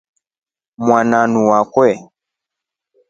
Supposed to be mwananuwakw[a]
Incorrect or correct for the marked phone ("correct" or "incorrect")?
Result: incorrect